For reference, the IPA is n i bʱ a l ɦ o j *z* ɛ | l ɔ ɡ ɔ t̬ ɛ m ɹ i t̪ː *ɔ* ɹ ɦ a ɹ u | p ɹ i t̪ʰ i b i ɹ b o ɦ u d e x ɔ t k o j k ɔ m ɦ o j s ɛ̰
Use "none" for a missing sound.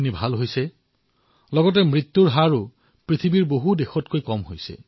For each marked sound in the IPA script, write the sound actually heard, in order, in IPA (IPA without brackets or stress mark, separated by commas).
s, u